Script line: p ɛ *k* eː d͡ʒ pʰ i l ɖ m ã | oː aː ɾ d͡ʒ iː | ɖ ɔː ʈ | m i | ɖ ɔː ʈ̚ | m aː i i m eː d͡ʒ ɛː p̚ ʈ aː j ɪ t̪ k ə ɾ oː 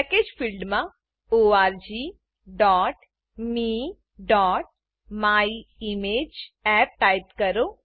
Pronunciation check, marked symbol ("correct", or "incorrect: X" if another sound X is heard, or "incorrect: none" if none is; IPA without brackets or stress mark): correct